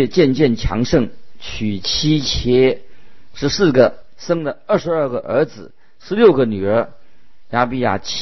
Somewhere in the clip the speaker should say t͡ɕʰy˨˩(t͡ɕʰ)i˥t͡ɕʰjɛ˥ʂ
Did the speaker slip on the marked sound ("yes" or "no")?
no